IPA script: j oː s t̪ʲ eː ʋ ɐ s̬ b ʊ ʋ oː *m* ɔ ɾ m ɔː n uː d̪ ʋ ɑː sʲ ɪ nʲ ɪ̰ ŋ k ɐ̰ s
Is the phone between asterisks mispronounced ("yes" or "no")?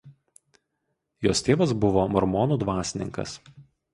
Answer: no